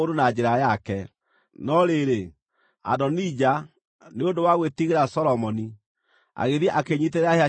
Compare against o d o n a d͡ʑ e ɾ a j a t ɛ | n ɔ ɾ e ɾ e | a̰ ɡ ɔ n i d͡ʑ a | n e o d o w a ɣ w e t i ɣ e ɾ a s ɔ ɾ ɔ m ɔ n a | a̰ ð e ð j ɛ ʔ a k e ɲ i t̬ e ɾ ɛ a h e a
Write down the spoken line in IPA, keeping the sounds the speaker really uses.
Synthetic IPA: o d o n a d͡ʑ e ɾ a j a k ɛ | n ɔ ɾ e ɾ e | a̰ d ɔ n i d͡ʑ a | n e o d o w a ɣ w e t i ɣ e ɾ a s ɔ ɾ ɔ m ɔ n i | a̰ ɣ e ð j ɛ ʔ a k e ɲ i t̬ e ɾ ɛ a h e a